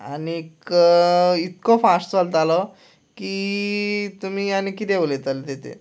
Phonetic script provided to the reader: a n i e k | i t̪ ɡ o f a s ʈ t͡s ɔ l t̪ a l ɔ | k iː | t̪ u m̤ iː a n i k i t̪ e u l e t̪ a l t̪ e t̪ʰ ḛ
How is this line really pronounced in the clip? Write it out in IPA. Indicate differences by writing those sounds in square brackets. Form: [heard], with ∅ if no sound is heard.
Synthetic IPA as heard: a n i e k | i t̪ [k] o f a s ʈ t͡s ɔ l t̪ a l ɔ | k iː | t̪ u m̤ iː a n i k i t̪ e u l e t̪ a l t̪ e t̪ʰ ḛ